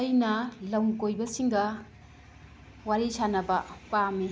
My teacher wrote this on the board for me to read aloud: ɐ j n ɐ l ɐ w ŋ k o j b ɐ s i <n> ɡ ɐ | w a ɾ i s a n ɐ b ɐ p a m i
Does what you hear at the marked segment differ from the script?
yes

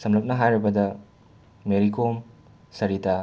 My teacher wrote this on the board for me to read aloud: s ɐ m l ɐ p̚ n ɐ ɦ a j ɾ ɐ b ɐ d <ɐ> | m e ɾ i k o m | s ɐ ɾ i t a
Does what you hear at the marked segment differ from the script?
no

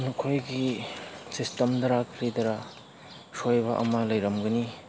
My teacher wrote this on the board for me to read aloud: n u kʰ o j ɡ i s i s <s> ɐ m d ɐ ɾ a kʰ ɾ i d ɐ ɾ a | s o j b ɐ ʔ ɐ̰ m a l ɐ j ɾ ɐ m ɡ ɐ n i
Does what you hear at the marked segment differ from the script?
yes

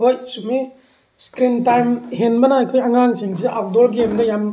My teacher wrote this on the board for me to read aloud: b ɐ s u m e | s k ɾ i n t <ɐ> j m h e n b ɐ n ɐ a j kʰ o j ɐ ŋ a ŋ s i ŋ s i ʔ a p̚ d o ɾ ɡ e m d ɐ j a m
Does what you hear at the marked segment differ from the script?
yes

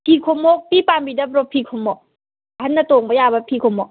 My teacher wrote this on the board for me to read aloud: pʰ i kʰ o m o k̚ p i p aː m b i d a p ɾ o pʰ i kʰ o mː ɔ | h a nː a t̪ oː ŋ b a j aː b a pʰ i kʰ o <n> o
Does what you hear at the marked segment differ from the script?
yes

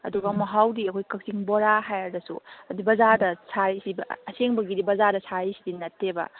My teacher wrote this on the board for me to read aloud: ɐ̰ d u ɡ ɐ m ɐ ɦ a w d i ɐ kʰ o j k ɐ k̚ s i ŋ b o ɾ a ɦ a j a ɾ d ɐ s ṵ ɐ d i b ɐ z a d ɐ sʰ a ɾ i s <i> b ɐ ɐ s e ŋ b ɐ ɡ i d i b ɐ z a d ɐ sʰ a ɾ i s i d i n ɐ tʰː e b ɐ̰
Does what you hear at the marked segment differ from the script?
no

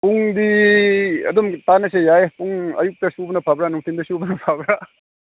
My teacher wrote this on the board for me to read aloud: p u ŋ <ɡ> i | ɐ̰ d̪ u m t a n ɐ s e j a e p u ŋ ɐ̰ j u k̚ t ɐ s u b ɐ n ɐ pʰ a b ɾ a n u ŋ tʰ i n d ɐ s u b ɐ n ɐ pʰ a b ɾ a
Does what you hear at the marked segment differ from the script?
yes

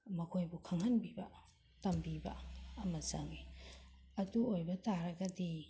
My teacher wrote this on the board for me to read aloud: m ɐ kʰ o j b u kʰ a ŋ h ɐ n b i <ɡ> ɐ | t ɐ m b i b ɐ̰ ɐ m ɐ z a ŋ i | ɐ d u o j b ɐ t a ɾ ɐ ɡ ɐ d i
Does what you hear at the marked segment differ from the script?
yes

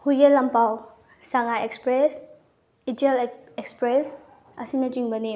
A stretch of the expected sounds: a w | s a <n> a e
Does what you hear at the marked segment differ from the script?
yes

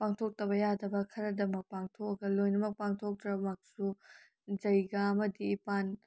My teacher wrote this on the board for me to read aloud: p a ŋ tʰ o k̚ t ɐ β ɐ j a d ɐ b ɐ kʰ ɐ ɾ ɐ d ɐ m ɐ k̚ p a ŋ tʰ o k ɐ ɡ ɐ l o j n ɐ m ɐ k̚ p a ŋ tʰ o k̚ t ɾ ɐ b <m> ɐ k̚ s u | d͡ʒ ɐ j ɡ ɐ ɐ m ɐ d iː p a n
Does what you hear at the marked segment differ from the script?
no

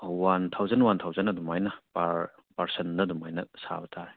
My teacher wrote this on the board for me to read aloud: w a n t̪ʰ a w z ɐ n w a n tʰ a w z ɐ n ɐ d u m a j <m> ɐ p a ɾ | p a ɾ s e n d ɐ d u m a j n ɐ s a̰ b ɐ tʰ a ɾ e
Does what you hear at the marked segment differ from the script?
yes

